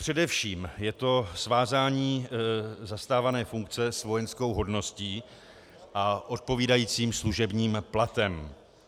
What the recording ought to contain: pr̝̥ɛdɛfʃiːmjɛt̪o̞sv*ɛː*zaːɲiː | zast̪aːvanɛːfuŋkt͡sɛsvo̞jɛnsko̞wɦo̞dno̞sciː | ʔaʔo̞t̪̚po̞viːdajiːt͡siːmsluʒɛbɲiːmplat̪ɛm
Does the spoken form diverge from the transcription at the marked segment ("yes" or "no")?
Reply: yes